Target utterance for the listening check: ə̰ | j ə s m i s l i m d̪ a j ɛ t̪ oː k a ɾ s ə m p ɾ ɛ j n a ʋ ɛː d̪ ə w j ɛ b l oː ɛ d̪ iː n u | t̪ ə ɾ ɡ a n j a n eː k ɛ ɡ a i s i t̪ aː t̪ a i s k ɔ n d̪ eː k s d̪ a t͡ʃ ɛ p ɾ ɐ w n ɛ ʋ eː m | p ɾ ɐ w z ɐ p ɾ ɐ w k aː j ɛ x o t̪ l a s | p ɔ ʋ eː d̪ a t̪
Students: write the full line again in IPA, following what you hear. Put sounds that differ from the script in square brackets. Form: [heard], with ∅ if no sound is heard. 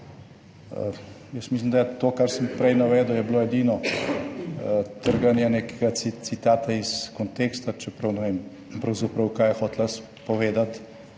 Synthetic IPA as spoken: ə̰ | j ə s m i s l i m d̪ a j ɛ t̪ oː k a ɾ s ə m p ɾ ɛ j n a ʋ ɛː d̪ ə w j ɛ b l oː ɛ d̪ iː n [ɔ] | t̪ ə ɾ ɡ a n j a n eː k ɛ ɡ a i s i t̪ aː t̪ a i s k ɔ n [t̪] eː k s [t̪] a t͡ʃ ɛ p ɾ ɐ w n ɛ ʋ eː m | p ɾ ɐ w z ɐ p ɾ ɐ w k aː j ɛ x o t̪ l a s | p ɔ ʋ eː d̪ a t̪